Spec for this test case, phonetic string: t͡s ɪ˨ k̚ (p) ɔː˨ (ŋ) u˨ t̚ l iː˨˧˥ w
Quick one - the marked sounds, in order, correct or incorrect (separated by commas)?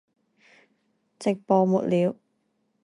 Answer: correct, incorrect